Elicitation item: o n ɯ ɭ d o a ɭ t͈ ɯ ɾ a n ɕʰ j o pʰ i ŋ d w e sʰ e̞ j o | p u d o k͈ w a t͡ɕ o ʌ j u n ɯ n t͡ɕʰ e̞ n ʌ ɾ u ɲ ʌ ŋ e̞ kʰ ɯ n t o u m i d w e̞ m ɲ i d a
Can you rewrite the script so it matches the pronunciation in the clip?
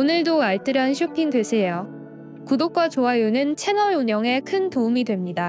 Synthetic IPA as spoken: o n ɯ ɭ d o a ɭ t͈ ɯ ɾ a n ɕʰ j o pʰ i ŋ d w e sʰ e̞ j o | k u d o k͈ w a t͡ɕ o a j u n ɯ n t͡ɕʰ e̞ n ʌ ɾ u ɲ ʌ ŋ e̞ kʰ ɯ n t o u m i d w e̞ m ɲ i d a